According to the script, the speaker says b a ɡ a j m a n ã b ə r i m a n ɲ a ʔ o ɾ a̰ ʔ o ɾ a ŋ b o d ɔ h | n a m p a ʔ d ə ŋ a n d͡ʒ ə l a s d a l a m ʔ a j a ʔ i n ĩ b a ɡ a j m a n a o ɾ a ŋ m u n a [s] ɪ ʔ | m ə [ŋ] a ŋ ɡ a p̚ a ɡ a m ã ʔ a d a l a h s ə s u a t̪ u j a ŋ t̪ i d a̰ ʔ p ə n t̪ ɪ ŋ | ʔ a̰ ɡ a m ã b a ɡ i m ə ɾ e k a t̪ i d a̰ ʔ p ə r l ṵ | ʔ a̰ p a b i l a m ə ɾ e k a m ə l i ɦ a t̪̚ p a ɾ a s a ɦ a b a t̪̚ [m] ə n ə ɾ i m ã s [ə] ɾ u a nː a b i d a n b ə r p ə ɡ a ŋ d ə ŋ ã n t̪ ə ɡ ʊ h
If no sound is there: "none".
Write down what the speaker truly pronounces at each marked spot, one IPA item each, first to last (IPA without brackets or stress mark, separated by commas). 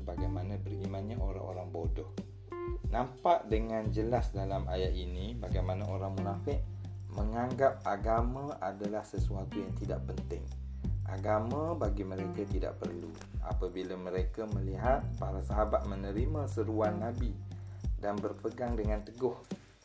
f, ŋ, m, ə